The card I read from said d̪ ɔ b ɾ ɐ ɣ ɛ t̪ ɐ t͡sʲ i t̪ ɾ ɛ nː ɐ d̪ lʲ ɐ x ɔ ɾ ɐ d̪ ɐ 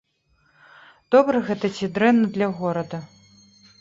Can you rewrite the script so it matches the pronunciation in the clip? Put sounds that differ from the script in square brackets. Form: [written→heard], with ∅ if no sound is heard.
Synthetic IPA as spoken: d̪ ɔ b ɾ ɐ ɣ ɛ t̪ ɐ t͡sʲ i [t̪→d̪] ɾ ɛ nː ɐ d̪ lʲ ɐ [x→ɣ] ɔ ɾ ɐ d̪ ɐ